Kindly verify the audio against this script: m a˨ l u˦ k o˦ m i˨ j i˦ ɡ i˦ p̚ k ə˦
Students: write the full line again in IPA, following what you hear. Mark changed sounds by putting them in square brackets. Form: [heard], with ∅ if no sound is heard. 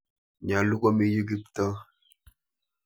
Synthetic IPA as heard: [ɲ] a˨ l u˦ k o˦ m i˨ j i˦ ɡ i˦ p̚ [t] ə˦